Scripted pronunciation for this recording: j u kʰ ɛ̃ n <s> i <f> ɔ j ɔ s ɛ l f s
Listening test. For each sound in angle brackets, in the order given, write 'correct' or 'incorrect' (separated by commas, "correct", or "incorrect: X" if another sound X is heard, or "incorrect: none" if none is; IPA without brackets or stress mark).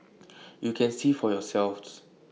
correct, correct